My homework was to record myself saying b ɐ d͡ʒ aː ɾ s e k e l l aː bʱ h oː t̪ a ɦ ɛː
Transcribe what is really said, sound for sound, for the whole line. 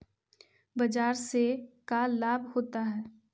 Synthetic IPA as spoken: b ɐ d͡ʒ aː ɾ s e k a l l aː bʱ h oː t̪ a ɦ ɛː